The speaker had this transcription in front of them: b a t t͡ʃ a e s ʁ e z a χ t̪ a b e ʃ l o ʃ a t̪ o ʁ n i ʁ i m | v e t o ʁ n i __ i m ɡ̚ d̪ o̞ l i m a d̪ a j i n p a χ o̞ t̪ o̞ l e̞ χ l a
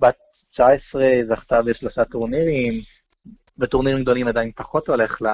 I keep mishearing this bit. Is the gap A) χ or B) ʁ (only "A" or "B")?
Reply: B